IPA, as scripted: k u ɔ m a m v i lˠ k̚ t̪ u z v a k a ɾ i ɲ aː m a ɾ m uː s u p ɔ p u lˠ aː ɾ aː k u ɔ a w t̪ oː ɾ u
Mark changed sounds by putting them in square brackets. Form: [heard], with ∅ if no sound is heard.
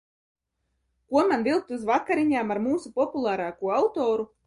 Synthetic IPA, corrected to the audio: k u ɔ m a [n] v i lˠ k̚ t̪ u z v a k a ɾ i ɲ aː m a ɾ m uː s u p ɔ p u lˠ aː ɾ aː k u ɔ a w t̪ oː ɾ u